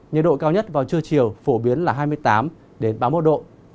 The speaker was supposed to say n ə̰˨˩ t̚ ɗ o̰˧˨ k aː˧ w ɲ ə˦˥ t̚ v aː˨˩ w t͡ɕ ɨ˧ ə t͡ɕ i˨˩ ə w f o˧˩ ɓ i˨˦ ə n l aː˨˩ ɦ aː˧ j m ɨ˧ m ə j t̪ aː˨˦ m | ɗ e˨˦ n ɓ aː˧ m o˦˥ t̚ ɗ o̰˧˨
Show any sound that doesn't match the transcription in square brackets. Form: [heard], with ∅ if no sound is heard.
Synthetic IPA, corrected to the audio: [ɲ] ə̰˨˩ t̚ ɗ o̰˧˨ k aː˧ w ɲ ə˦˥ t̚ v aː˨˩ w t͡ɕ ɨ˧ ə t͡ɕ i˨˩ ə w f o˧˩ ɓ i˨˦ ə n l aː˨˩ ɦ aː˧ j m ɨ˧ [∅] ə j t̪ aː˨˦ m | ɗ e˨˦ n ɓ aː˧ m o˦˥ t̚ ɗ o̰˧˨